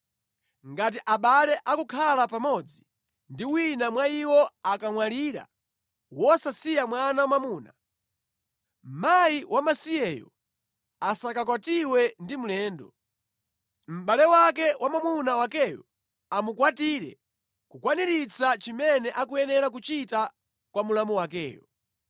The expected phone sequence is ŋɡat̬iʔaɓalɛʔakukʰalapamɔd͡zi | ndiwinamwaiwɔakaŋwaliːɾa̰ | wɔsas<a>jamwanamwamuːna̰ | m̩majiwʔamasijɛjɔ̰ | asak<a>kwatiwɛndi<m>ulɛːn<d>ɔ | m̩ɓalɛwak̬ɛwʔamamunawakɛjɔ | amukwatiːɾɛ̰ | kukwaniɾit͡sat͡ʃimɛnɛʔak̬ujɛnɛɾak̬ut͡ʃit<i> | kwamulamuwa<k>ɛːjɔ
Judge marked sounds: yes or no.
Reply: no, yes, yes, yes, no, yes

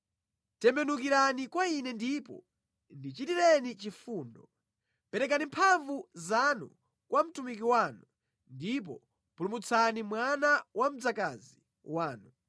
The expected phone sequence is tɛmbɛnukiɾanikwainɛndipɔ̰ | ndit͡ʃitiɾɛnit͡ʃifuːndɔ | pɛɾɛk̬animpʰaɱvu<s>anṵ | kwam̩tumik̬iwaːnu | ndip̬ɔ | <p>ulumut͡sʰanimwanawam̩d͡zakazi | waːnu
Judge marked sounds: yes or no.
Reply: no, yes

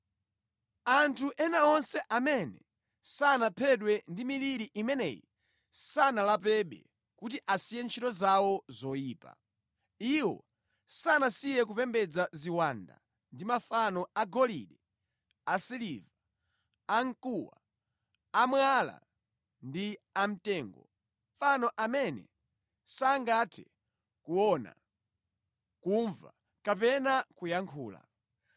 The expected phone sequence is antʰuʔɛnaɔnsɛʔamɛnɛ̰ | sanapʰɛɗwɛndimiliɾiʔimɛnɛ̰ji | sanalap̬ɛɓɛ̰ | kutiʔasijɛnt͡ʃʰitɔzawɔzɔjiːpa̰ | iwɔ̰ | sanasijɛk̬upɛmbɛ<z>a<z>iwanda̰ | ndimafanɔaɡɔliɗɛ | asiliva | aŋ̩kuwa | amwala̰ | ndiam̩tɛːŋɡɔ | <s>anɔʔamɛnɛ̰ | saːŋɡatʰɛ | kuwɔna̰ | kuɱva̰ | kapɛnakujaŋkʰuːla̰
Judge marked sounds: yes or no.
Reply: no, yes, no

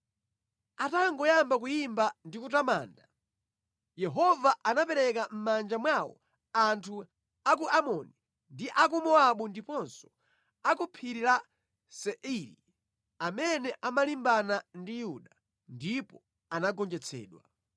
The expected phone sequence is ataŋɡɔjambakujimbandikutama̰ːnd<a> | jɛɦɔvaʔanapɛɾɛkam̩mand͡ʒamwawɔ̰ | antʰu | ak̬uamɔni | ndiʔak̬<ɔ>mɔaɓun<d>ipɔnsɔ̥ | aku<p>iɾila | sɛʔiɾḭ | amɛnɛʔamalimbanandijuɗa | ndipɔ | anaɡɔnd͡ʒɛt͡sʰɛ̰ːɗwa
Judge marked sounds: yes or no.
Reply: yes, no, yes, no

